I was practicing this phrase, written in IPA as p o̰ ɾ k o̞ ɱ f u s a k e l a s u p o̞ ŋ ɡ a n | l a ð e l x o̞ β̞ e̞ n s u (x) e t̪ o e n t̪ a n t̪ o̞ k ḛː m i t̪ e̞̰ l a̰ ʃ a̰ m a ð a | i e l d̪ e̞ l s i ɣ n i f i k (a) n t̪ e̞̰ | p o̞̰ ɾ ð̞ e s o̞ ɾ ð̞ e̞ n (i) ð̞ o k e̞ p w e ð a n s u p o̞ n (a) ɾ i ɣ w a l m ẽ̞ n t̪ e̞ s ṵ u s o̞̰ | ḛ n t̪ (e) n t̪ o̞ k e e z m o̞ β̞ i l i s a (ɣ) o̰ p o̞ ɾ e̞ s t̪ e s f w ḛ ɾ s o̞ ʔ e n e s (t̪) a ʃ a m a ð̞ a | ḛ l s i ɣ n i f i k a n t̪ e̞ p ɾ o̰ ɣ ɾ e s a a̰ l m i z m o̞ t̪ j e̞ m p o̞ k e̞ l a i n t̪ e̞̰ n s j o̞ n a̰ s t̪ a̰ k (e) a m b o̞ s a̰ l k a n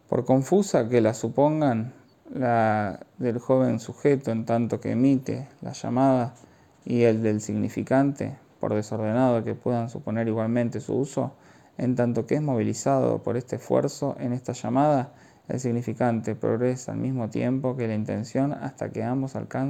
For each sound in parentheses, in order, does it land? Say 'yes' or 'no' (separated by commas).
yes, yes, no, no, no, no, yes, yes